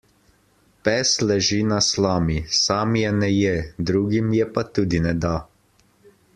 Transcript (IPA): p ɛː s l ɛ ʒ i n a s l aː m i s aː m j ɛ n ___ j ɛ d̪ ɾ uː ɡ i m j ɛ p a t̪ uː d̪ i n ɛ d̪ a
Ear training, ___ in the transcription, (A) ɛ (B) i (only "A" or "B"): A